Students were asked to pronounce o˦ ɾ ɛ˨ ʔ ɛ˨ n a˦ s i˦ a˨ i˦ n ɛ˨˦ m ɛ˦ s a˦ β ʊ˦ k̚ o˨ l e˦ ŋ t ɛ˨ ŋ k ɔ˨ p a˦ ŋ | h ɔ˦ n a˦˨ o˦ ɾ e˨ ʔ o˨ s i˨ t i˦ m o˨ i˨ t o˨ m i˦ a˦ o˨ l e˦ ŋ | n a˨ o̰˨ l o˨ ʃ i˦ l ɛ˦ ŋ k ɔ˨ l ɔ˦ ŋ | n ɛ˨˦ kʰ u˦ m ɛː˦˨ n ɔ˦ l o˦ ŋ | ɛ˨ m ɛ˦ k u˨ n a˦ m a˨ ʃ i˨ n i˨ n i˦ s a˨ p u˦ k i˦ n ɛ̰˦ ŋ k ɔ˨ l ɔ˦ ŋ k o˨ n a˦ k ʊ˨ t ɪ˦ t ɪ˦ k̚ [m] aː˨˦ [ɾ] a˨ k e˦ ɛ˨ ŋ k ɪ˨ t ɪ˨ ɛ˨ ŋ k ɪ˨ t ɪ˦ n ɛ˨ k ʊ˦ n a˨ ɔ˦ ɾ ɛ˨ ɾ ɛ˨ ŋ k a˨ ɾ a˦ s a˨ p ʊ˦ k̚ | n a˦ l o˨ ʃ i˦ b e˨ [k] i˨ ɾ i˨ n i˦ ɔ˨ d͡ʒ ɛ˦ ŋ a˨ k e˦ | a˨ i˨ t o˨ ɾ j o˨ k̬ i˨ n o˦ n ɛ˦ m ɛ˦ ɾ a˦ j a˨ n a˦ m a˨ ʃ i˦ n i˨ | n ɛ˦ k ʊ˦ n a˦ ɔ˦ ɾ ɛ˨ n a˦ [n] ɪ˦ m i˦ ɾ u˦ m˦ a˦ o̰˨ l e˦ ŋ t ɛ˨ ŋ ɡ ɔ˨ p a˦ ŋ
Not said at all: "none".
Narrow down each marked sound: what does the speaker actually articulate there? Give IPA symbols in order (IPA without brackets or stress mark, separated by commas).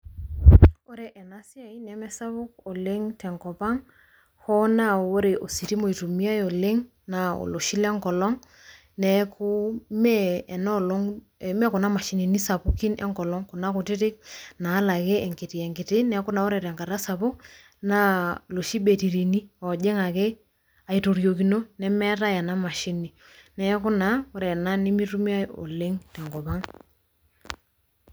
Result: n, l, t, n